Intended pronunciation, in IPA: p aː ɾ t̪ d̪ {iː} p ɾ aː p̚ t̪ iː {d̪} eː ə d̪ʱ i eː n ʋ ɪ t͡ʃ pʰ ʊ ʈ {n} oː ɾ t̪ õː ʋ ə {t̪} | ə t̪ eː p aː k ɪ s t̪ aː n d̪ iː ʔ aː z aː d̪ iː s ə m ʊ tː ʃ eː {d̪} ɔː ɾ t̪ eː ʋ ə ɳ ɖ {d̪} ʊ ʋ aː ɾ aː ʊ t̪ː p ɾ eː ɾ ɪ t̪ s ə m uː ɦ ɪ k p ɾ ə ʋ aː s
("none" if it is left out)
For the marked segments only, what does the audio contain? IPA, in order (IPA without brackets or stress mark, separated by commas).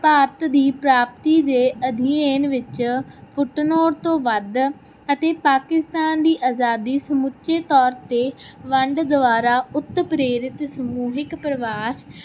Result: iː, d̪, n, d̪, t̪, d̪